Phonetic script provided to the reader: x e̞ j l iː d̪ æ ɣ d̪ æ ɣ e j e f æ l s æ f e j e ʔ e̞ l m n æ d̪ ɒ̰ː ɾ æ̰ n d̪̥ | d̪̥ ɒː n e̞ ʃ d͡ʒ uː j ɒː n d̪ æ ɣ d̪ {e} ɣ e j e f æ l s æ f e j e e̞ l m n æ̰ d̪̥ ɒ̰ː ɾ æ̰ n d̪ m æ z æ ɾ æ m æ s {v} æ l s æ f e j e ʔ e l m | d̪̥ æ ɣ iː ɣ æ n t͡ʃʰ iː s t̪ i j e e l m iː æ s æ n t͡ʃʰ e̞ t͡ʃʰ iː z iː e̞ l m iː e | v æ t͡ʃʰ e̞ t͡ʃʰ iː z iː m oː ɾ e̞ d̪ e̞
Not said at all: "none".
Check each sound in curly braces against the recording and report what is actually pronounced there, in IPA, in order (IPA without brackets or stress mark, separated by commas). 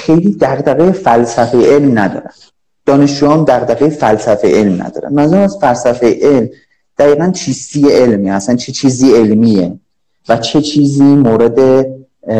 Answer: æ, f